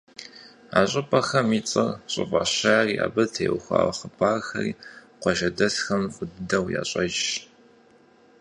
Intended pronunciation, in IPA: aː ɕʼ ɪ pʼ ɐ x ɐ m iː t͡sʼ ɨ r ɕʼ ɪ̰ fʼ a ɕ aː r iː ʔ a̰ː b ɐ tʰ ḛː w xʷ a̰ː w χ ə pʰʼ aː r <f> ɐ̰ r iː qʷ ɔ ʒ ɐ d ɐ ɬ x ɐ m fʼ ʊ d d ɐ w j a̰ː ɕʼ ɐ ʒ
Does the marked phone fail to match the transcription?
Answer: yes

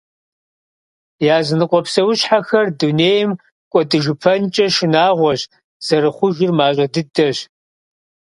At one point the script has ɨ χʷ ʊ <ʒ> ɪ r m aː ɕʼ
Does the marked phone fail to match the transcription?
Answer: no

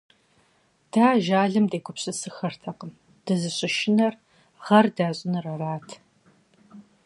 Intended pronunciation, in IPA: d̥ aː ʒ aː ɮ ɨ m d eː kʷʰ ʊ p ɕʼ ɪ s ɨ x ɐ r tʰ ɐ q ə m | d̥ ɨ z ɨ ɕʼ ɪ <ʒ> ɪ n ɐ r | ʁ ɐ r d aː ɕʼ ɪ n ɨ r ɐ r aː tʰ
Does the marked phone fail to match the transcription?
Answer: yes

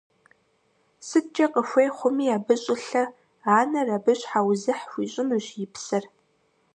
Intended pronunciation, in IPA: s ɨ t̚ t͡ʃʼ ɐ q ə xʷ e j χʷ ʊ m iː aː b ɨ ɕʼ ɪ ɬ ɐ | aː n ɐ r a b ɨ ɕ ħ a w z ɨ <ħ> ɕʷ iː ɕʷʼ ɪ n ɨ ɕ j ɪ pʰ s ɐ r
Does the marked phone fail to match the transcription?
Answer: no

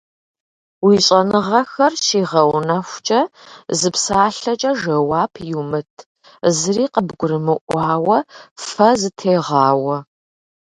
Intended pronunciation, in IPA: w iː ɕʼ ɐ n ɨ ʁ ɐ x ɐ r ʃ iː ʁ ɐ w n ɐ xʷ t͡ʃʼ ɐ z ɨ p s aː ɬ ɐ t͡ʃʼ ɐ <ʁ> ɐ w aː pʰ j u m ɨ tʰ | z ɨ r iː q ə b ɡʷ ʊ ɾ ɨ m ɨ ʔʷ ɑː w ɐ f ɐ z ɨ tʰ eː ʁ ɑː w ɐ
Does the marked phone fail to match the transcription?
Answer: yes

